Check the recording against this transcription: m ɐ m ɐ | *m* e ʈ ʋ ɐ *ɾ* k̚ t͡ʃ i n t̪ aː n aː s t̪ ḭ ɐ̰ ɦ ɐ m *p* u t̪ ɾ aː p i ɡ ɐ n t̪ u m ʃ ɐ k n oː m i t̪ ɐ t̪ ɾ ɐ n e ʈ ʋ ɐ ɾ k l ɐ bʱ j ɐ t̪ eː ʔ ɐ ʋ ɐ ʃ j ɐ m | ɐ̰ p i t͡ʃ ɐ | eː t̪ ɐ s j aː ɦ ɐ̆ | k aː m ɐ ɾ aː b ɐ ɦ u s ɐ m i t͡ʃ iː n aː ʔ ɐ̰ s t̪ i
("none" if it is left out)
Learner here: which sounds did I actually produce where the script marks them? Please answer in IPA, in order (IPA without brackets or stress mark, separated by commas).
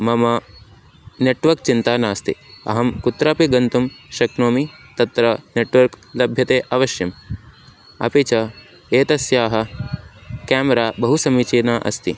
n, ɾ, k